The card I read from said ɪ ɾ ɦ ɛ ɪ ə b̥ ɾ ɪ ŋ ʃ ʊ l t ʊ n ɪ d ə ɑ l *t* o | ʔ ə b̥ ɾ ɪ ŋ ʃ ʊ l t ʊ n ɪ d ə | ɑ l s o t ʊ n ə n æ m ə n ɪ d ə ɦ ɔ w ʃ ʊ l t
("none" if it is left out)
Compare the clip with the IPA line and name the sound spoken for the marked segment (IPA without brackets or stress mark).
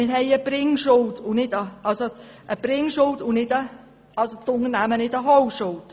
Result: s